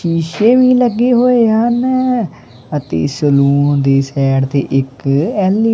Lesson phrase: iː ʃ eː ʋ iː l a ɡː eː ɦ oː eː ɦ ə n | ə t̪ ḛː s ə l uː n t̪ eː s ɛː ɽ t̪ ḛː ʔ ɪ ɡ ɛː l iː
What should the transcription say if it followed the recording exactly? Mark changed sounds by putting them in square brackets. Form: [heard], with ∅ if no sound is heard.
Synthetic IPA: iː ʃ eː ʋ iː l [ə] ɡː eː ɦ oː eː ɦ ə n | ə t̪ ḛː s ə l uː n [d̪] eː s ɛː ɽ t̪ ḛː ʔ ɪ [k] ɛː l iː